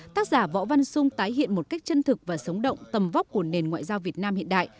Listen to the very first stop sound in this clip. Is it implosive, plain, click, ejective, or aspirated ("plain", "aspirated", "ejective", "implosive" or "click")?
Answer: plain